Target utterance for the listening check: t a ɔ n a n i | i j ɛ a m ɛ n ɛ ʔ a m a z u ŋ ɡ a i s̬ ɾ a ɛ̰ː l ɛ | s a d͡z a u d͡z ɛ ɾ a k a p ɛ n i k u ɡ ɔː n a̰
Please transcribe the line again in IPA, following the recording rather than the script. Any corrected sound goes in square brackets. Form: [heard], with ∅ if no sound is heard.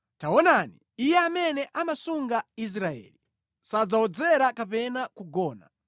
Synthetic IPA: t a ɔ n a n i | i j ɛ a m ɛ n ɛ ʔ a m a [s] u ŋ ɡ a i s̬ ɾ a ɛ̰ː l [i] | s a d͡z a [ɔ] d͡z ɛ ɾ a k a p ɛ n [a] k u ɡ ɔː n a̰